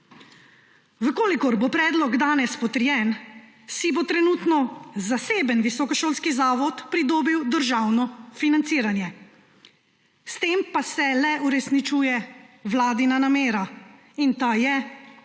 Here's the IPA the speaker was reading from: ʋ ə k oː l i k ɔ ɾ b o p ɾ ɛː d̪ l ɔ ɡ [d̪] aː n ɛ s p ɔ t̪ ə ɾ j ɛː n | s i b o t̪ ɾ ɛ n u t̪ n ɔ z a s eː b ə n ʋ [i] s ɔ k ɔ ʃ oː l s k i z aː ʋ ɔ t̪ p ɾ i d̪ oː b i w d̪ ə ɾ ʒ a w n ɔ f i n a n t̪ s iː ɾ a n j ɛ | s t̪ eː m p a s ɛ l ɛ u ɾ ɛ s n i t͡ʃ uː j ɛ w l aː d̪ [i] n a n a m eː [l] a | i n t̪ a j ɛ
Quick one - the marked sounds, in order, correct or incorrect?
correct, correct, correct, incorrect

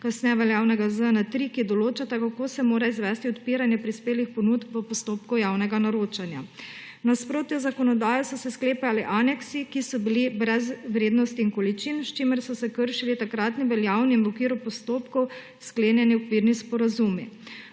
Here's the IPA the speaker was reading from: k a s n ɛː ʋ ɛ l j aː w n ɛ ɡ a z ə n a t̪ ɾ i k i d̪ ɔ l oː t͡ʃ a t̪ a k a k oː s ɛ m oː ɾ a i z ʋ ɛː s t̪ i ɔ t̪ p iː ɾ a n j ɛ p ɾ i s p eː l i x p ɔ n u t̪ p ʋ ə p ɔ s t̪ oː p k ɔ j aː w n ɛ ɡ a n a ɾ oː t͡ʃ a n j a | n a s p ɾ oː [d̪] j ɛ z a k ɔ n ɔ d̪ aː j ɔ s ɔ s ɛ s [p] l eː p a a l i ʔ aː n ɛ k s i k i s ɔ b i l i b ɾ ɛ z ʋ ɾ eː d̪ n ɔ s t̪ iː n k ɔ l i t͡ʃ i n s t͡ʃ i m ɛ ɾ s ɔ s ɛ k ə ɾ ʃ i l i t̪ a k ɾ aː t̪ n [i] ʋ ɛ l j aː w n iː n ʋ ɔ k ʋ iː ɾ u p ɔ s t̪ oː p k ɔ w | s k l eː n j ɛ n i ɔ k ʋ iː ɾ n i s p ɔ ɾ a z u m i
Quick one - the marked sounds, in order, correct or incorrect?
incorrect, incorrect, correct

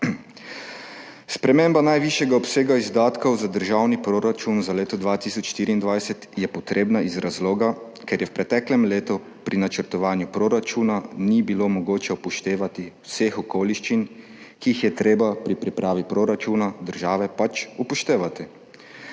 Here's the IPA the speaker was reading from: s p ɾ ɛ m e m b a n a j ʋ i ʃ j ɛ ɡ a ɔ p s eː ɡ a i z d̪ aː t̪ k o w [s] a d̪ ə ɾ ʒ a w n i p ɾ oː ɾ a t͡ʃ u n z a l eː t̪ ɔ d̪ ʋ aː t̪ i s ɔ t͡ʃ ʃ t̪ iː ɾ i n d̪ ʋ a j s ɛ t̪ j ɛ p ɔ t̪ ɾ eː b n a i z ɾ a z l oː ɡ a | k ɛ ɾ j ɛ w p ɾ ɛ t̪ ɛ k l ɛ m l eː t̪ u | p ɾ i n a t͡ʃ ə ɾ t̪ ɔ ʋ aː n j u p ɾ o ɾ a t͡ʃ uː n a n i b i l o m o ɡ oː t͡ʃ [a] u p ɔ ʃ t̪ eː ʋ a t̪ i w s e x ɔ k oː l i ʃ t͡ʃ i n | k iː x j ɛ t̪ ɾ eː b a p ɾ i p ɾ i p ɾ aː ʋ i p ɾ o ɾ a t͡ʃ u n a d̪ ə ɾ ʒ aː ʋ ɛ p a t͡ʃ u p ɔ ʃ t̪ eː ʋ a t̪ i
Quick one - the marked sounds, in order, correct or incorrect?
incorrect, incorrect

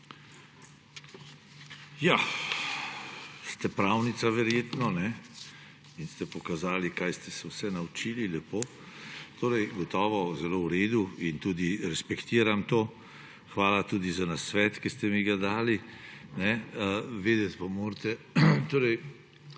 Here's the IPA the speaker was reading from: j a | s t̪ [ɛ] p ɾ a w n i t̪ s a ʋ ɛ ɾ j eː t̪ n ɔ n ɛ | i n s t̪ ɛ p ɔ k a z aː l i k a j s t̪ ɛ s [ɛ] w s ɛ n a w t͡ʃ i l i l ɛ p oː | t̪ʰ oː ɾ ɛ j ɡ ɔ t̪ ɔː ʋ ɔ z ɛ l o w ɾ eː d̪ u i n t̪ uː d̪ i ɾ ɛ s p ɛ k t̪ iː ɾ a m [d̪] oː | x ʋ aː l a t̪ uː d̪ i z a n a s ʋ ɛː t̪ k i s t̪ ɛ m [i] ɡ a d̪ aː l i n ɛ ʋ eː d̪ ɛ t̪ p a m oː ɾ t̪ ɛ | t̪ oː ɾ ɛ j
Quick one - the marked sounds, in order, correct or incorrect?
correct, correct, incorrect, correct

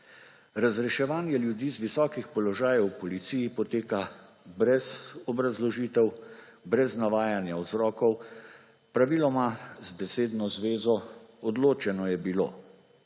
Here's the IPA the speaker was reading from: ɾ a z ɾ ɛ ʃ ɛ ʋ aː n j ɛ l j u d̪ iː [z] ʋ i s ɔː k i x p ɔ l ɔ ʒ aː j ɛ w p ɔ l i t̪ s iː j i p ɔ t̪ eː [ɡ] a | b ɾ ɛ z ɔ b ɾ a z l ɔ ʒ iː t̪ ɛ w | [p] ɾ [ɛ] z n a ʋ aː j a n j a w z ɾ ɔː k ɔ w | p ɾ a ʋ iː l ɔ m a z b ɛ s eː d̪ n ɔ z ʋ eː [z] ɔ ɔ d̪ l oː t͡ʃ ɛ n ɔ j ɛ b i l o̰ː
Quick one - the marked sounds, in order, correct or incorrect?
correct, incorrect, incorrect, correct, correct

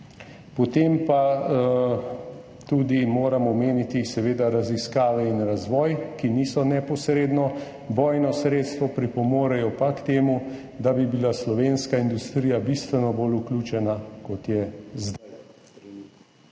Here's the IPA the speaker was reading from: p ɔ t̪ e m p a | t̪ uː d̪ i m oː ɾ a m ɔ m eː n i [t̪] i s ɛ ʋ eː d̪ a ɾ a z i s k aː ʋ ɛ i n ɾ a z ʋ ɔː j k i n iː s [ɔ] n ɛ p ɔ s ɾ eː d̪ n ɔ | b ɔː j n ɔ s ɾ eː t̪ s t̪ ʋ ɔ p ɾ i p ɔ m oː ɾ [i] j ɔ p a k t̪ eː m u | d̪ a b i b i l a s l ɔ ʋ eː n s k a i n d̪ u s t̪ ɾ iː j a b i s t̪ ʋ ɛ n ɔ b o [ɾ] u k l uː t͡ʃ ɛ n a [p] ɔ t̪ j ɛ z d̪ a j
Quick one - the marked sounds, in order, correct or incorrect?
correct, correct, incorrect, incorrect, incorrect

